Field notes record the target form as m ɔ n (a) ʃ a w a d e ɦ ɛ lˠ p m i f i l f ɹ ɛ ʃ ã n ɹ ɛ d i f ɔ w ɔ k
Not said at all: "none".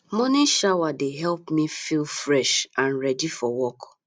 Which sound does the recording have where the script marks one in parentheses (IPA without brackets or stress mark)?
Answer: i